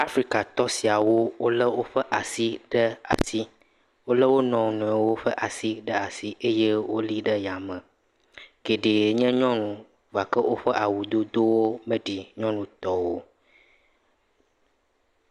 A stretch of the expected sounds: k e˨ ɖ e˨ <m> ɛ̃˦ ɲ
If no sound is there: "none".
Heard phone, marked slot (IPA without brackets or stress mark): ɲ